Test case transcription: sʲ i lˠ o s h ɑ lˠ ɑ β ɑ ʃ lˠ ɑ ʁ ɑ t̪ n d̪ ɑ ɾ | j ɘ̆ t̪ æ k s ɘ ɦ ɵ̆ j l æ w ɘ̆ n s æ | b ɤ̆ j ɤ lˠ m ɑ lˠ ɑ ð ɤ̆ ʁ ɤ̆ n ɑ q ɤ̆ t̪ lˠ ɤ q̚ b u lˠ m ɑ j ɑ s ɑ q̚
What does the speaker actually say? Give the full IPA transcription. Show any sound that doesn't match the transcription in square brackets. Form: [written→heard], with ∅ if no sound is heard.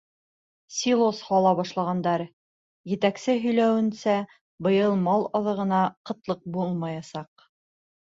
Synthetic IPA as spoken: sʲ i lˠ o s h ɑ lˠ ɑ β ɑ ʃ lˠ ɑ ʁ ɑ [t̪→∅] n d̪ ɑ ɾ | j ɘ̆ t̪ æ k s ɘ ɦ ɵ̆ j l æ w ɘ̆ n s æ | b ɤ̆ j ɤ lˠ m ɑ lˠ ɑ ð ɤ̆ ʁ ɤ̆ n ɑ q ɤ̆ t̪ lˠ ɤ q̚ b u lˠ m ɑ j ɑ s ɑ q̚

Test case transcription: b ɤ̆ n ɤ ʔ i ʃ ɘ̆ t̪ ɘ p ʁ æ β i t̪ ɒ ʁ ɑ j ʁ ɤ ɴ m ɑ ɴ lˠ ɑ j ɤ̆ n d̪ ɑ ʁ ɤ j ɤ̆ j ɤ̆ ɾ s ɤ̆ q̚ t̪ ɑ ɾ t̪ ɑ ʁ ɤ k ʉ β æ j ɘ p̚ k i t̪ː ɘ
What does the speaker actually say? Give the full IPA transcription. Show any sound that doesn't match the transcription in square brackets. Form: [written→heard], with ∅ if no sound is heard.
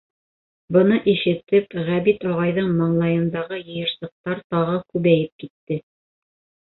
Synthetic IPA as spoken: b ɤ̆ n ɤ ʔ i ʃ ɘ̆ t̪ ɘ p ʁ æ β i t̪ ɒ ʁ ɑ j [ʁ→ð] ɤ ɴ m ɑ ɴ lˠ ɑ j ɤ̆ n d̪ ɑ ʁ ɤ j ɤ̆ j ɤ̆ ɾ s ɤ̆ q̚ t̪ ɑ ɾ t̪ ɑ ʁ ɤ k ʉ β æ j ɘ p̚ k i t̪ː ɘ

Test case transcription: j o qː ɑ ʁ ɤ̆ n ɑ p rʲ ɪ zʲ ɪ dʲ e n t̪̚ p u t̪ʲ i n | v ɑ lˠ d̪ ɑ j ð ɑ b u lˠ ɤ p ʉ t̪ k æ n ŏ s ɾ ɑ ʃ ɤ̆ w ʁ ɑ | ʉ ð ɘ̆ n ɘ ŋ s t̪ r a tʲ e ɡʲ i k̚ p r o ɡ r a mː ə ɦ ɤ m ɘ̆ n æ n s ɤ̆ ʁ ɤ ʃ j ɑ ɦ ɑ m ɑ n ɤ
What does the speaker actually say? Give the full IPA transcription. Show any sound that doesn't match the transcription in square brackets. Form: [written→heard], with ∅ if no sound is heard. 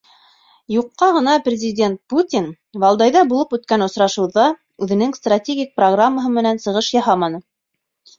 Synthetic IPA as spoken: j [o→u] qː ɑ ʁ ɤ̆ n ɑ p rʲ ɪ zʲ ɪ dʲ e n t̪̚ p u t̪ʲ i n | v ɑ lˠ d̪ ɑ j ð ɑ b u lˠ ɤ p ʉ t̪ k æ n ŏ s ɾ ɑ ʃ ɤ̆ w [ʁ→ð] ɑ | ʉ ð ɘ̆ n ɘ ŋ s t̪ r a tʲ e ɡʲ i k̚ p r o ɡ r a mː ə ɦ ɤ m ɘ̆ n æ n s ɤ̆ ʁ ɤ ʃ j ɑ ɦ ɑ m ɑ n ɤ

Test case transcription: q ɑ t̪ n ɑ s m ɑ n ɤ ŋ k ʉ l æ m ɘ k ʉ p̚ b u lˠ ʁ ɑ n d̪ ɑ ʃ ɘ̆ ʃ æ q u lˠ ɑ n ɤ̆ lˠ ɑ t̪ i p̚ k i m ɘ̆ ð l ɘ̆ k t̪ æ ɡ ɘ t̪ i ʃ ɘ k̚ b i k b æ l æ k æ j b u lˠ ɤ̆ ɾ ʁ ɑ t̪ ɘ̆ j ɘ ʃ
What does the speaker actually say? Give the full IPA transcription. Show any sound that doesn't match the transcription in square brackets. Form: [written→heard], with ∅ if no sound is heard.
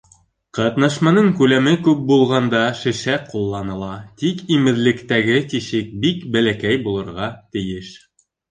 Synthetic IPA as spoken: q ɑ t̪ n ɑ [s→ʃ] m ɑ n ɤ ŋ k ʉ l æ m ɘ k ʉ p̚ b u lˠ ʁ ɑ n d̪ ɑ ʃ ɘ̆ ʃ æ q u [lˠ→lˠː] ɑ n ɤ̆ lˠ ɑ t̪ i [p̚→∅] k i m ɘ̆ ð l ɘ̆ k t̪ æ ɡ ɘ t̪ i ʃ ɘ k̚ b i k b æ l æ k æ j b u lˠ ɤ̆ ɾ ʁ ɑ t̪ ɘ̆ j ɘ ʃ

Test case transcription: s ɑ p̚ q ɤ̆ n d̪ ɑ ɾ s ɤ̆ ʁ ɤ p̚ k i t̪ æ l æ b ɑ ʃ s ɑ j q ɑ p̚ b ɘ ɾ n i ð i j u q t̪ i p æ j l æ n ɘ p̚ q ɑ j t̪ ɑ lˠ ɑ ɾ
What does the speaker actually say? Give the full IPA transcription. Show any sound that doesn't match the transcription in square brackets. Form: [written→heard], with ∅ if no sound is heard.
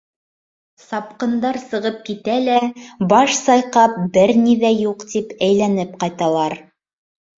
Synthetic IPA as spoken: s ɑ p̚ q ɤ̆ n d̪ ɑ ɾ s ɤ̆ ʁ ɤ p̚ k i t̪ æ l æ b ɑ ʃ s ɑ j q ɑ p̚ b ɘ ɾ n i ð [i→æ] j u q t̪ i p æ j l æ n ɘ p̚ q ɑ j t̪ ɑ lˠ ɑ ɾ

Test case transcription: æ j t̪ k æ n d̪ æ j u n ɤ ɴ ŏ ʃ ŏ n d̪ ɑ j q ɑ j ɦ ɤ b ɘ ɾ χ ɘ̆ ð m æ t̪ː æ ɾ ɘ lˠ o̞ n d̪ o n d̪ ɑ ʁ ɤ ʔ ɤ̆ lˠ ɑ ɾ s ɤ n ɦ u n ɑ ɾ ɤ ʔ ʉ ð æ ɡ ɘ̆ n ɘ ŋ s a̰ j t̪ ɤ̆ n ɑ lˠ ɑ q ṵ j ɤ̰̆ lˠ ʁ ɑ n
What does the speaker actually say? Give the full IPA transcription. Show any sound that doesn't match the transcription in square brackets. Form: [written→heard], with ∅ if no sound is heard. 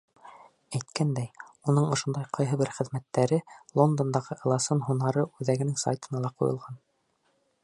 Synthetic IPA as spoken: æ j t̪ k æ n d̪ æ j u n ɤ ɴ ŏ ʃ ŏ n d̪ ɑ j q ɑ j ɦ ɤ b ɘ ɾ χ ɘ̆ ð m æ t̪ː æ ɾ ɘ lˠ o̞ n d̪ o n d̪ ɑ ʁ ɤ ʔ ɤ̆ lˠ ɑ [ɾ→∅] s ɤ n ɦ u n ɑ ɾ ɤ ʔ ʉ ð æ ɡ ɘ̆ n ɘ ŋ s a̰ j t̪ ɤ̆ n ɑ lˠ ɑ q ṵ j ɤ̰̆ lˠ ʁ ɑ n

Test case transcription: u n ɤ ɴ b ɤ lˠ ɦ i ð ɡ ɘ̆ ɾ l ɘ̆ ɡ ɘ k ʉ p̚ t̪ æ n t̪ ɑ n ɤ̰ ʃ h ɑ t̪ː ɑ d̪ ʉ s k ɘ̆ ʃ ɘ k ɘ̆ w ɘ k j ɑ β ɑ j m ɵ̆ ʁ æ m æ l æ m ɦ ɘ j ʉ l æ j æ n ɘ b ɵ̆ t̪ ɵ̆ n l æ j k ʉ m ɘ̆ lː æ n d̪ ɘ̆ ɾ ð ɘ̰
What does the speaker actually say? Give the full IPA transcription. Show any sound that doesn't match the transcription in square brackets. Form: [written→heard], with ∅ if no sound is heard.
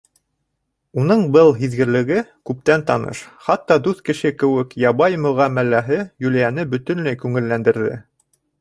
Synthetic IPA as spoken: u n ɤ ɴ b ɤ lˠ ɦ i ð ɡ ɘ̆ ɾ l ɘ̆ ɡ ɘ k ʉ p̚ t̪ æ n t̪ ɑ n ɤ̰ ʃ [h→χ] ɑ t̪ː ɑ d̪ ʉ [s→θ] k ɘ̆ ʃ ɘ k ɘ̆ w ɘ k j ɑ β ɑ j m ɵ̆ ʁ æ m æ l æ [m→∅] ɦ ɘ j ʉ l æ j æ n ɘ b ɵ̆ t̪ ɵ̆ n l æ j k ʉ [m→ŋ] ɘ̆ lː æ n d̪ ɘ̆ ɾ ð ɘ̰

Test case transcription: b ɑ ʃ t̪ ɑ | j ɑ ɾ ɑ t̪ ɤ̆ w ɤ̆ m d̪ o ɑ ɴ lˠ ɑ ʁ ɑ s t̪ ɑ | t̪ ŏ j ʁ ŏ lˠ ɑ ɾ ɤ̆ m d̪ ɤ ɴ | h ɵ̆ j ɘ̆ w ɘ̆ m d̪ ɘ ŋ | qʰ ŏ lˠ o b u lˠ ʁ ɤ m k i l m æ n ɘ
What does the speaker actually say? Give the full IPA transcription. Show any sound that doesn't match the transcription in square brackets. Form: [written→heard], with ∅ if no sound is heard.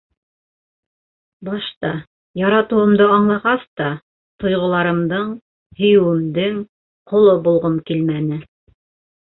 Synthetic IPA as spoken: b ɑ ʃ t̪ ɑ | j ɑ ɾ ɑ t̪ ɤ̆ w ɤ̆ m d̪ [o→ɤ] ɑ ɴ lˠ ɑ ʁ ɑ s t̪ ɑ | t̪ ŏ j ʁ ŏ lˠ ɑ ɾ ɤ̆ m d̪ ɤ ɴ | h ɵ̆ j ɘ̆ w ɘ̆ m d̪ ɘ ŋ | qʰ ŏ lˠ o b u lˠ ʁ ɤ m k i l m æ n ɘ

